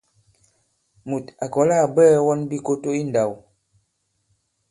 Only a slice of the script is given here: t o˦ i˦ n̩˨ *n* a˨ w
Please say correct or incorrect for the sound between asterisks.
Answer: incorrect